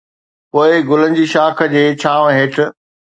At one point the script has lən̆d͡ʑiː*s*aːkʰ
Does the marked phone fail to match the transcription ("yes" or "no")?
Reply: yes